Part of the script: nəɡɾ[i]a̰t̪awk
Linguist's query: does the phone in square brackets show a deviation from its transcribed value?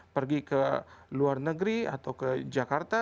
no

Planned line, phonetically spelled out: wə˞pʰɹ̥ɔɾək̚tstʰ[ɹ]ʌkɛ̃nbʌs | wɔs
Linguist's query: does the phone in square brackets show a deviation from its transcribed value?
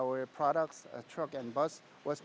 no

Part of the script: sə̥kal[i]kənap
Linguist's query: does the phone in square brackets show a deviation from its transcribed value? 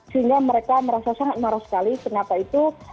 no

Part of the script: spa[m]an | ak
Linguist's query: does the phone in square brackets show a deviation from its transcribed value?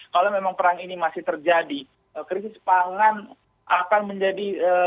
yes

